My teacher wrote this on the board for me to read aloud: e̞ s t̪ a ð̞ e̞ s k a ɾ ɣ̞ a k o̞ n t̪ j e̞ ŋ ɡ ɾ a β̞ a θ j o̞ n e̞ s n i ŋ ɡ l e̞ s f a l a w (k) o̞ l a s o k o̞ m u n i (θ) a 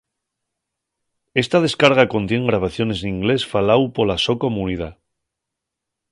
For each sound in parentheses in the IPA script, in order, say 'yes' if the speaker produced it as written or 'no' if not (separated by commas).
no, no